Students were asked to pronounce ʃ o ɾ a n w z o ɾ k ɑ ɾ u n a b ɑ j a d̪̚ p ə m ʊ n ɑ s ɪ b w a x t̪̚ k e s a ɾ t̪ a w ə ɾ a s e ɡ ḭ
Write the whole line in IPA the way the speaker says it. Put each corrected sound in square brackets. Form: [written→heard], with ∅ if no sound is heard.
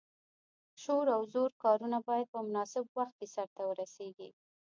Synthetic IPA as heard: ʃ o ɾ a [n→∅] w z o ɾ k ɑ ɾ u n a b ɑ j a d̪̚ p ə m ʊ n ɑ s ɪ b w a x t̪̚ k e s a ɾ t̪ a w ə ɾ a s e ɡ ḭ